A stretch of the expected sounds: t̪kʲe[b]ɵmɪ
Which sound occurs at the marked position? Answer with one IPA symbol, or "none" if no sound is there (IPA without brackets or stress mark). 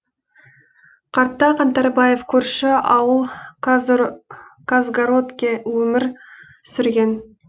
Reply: w